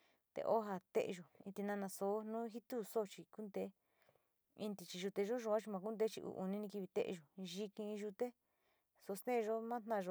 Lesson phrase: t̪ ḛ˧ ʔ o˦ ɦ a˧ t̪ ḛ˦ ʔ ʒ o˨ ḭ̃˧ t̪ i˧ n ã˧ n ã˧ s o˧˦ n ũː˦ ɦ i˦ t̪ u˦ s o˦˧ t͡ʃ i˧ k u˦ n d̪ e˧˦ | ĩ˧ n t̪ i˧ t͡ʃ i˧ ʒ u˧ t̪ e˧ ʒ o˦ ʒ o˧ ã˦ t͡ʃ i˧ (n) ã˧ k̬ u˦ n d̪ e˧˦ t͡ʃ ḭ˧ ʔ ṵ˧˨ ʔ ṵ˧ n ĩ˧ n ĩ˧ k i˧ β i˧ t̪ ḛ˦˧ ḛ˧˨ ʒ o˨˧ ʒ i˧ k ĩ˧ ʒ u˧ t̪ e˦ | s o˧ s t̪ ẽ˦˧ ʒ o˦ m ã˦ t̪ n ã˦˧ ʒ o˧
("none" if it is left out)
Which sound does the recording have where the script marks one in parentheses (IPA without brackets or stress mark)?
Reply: m